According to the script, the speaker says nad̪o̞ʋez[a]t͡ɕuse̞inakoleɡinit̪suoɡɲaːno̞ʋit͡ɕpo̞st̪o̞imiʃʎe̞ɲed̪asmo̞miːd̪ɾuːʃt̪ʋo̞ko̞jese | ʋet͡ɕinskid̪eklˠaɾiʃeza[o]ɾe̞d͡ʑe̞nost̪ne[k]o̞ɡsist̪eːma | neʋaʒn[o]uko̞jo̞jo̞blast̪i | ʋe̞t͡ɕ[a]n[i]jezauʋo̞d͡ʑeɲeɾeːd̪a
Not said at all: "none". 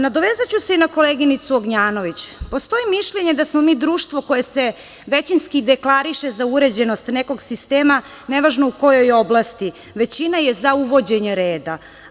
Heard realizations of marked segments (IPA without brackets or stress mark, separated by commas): a, u, k, o, i, a